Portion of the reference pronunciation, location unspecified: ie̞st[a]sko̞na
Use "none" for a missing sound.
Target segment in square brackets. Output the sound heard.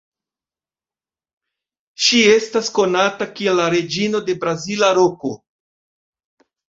a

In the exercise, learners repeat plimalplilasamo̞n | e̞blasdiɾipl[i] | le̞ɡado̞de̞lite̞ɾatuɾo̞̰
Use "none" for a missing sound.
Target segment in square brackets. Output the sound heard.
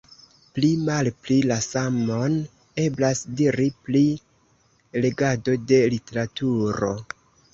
i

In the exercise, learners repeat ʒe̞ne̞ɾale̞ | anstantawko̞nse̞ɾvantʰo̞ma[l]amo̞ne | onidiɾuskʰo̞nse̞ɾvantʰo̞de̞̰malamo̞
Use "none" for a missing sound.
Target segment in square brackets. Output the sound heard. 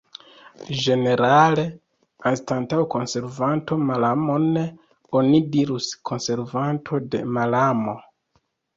l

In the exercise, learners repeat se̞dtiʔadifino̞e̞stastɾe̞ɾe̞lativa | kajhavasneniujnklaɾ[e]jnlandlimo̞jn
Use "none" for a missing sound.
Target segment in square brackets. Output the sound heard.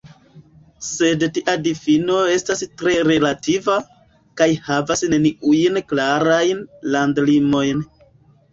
a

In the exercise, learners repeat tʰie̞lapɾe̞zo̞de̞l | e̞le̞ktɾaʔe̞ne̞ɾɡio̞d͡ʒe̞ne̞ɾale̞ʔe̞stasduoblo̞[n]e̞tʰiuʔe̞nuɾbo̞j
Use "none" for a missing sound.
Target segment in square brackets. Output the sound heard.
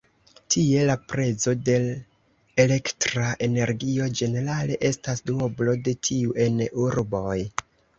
d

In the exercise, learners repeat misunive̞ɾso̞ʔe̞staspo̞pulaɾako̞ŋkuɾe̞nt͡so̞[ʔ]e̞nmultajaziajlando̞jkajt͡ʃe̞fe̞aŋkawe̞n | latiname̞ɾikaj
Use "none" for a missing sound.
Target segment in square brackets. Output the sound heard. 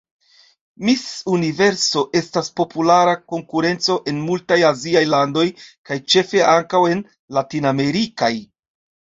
ʔ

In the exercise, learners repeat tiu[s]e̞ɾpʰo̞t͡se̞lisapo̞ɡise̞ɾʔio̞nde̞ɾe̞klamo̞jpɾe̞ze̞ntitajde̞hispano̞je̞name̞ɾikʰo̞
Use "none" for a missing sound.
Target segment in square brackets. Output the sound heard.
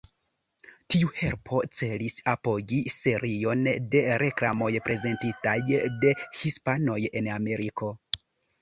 h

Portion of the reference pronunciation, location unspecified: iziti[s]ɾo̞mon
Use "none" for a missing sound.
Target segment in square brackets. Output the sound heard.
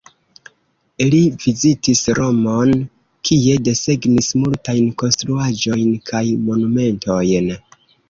s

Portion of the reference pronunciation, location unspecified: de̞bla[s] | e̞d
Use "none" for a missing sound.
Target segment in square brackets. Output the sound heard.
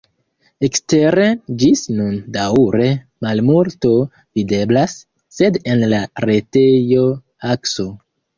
sː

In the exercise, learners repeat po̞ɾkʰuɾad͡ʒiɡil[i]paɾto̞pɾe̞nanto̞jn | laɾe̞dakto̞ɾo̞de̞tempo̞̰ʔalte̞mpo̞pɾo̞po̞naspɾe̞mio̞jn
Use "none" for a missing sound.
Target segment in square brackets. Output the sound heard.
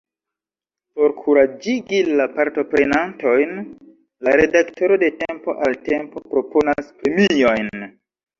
a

